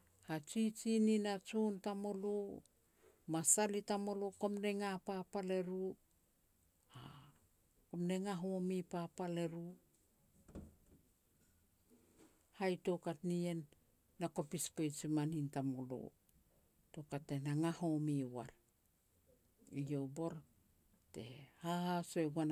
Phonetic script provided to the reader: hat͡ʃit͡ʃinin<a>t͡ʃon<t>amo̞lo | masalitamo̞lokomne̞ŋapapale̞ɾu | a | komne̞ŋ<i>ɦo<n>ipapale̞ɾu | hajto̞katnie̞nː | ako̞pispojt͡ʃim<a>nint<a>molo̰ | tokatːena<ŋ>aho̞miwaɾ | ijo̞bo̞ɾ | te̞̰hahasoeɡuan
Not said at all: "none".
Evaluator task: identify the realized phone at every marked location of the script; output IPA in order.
a, t, a, m, a, a, ŋ

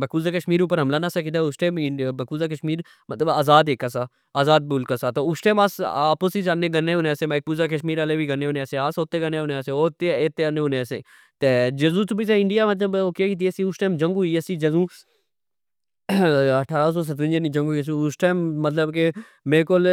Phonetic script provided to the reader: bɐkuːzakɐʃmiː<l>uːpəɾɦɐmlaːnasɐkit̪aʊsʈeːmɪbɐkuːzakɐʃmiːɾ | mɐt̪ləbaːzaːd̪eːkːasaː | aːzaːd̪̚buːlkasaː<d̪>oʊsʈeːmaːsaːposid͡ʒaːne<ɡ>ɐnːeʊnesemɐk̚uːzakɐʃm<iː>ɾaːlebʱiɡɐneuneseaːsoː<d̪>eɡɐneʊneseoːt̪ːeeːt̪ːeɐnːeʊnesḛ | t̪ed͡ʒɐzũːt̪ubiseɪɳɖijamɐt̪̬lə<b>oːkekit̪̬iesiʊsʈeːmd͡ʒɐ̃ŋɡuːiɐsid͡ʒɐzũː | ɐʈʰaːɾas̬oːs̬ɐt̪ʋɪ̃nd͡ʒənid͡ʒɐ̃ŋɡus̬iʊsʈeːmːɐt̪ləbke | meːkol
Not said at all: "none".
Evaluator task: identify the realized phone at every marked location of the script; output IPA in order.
ɾ, t̪, ɡ, iː, t̪, b

